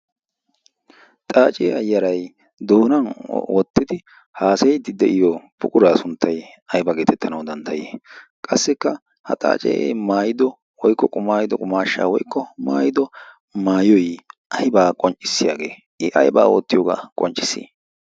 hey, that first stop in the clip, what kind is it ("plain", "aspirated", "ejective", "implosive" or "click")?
ejective